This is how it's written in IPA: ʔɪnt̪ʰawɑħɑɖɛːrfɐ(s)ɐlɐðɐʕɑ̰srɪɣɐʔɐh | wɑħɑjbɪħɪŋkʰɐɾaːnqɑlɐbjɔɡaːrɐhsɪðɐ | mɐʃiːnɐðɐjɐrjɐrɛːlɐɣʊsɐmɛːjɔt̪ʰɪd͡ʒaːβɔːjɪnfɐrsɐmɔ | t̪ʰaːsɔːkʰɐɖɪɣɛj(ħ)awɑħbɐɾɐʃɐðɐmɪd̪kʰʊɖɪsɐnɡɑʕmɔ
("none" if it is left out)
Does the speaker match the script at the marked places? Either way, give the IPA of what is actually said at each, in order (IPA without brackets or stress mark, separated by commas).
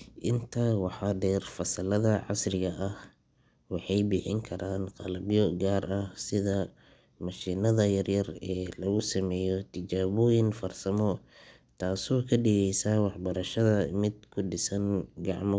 s, s